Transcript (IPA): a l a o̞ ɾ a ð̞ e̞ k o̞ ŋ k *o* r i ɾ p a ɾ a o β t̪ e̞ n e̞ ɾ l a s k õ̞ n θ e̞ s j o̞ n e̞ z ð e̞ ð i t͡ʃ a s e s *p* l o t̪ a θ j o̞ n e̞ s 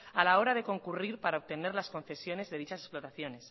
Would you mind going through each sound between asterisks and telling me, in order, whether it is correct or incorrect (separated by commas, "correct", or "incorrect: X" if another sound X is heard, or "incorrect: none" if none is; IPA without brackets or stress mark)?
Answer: incorrect: u, correct